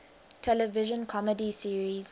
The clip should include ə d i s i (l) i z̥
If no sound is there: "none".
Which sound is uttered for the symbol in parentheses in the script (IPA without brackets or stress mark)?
ɹ